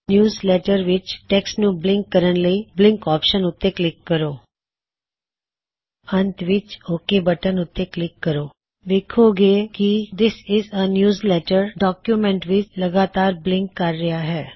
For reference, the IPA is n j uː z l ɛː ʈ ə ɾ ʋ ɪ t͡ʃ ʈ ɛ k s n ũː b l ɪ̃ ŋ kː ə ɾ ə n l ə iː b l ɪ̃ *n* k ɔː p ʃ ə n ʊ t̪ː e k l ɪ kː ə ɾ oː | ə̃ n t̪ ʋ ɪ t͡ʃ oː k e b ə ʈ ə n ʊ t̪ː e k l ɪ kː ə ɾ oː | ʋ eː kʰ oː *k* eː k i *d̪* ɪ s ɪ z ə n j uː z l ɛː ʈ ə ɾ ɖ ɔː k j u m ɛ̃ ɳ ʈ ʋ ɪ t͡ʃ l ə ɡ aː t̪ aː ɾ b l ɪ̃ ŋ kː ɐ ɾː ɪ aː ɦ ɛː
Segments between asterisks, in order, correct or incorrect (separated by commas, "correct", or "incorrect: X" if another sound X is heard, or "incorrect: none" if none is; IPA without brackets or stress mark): incorrect: ŋ, incorrect: ɡ, correct